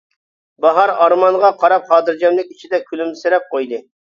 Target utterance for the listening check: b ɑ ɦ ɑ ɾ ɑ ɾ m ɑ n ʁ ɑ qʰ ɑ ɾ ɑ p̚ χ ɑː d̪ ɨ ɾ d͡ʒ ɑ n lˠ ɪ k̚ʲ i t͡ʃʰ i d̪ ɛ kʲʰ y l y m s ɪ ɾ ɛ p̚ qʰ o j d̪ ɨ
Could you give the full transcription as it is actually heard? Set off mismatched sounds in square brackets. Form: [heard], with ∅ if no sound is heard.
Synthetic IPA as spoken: b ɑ ɦ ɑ ɾ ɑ ɾ m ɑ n ʁ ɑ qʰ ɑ ɾ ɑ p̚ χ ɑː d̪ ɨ ɾ d͡ʒ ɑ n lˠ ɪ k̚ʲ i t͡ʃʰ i d̪ ɛ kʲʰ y l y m s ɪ ɾ ɛ p̚ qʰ o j d̪ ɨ